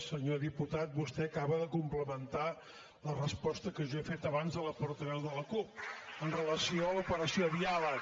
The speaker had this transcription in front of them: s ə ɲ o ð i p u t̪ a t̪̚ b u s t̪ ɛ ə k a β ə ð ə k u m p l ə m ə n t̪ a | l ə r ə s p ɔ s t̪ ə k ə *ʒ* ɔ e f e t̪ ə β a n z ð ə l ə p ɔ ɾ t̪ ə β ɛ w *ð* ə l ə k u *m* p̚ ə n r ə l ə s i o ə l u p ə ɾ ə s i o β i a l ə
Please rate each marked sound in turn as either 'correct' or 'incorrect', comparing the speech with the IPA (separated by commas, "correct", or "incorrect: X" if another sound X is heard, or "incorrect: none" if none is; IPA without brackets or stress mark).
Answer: correct, correct, incorrect: none